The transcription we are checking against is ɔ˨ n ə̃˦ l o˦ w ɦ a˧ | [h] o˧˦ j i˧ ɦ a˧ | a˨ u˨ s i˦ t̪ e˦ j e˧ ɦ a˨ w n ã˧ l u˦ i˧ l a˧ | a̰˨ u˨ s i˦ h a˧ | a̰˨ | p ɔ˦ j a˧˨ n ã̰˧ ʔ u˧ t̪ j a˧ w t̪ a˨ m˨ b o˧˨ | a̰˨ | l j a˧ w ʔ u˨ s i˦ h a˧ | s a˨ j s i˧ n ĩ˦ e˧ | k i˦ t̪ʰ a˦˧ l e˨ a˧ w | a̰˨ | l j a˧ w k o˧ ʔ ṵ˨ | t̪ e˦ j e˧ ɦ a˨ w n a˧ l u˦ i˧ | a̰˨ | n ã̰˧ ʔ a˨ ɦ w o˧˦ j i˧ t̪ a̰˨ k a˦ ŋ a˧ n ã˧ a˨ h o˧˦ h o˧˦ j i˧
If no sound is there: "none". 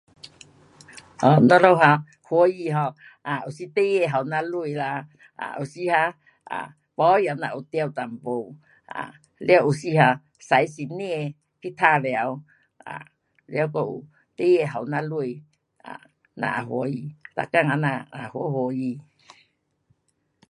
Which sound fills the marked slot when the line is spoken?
h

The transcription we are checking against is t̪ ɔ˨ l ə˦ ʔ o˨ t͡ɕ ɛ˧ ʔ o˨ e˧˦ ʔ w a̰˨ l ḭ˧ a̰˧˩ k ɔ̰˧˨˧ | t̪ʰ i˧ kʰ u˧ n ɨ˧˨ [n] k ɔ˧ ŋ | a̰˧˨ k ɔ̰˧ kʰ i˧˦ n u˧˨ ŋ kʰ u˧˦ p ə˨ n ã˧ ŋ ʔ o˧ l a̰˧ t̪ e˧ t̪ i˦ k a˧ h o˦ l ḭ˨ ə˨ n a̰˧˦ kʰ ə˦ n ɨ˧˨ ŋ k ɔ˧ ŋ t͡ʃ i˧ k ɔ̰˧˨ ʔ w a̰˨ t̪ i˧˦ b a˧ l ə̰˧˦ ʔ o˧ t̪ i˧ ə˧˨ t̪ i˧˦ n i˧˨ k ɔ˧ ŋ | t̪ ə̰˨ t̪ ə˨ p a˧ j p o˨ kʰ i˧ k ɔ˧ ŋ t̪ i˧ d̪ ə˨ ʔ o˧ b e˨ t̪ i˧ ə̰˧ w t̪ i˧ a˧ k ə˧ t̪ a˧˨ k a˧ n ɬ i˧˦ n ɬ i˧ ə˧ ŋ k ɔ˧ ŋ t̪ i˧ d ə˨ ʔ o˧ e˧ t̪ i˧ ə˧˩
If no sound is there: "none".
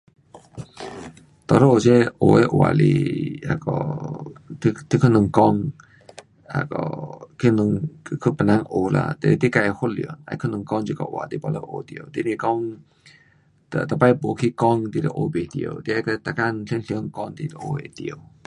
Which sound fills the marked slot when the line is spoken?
ŋ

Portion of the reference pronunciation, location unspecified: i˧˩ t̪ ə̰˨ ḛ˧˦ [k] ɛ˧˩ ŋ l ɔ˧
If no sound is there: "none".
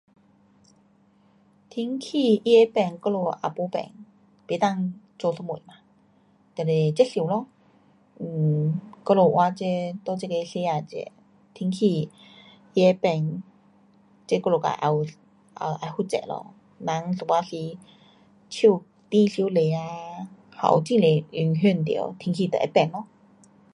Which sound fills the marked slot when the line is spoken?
p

